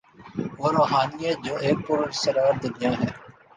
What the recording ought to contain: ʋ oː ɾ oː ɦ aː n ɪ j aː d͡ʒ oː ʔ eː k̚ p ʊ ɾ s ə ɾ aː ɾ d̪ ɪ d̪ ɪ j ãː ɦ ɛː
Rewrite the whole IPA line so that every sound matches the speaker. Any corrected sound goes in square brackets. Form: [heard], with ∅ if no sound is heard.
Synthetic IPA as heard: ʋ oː ɾ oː ɦ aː n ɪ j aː d͡ʒ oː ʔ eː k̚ p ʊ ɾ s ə ɾ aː ɾ d̪ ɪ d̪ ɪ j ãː ɦ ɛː